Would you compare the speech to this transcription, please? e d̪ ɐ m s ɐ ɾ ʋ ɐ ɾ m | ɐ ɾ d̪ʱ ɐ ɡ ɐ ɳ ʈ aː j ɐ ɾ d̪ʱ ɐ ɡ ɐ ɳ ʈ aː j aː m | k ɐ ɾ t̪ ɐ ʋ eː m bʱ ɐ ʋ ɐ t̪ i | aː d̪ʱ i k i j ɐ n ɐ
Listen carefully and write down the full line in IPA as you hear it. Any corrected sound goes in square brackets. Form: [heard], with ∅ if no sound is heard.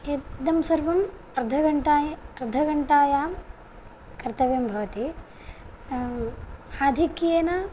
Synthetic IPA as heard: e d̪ ɐ m s ɐ ɾ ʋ ɐ [∅] m | ɐ ɾ d̪ʱ ɐ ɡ ɐ ɳ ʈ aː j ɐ ɾ d̪ʱ ɐ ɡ ɐ ɳ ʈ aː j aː m | k ɐ ɾ t̪ ɐ ʋ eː m bʱ ɐ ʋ ɐ t̪ i | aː d̪ʱ i k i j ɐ n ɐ